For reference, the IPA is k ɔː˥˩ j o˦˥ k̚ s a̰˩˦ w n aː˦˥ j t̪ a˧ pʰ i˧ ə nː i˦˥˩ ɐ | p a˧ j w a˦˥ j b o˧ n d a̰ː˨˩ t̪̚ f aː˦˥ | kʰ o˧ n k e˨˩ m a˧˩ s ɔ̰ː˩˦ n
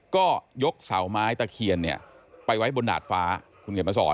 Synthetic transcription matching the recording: k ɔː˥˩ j o˦˥ k̚ s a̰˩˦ w m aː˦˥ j t̪ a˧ kʰ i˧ ə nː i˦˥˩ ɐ | p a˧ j w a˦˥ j b o˧ n d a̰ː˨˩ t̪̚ f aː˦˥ | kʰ u˧ n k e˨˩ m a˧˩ s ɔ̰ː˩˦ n